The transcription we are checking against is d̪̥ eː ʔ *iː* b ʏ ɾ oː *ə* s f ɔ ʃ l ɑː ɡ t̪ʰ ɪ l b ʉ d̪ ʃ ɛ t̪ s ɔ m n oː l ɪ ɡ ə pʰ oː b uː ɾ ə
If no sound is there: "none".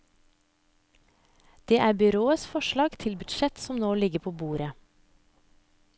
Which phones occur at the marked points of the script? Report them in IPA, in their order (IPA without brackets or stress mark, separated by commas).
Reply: æː, ə